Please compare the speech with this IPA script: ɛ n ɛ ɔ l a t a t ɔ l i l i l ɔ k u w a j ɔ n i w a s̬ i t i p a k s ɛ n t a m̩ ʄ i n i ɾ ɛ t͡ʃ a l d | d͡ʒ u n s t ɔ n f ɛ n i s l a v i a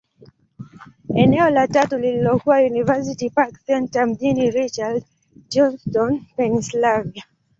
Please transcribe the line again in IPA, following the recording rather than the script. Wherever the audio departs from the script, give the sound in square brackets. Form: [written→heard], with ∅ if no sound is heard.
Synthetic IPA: ɛ n ɛ ɔ l a t a t [ɔ→u] l i l i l ɔ k u w a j [ɔ→u] n i [w→v] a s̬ i t i p a k s ɛ n t a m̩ ʄ i n i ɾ [ɛ→i] t͡ʃ a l d | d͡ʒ [u→ɔ] n s t ɔ n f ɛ n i s l a v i a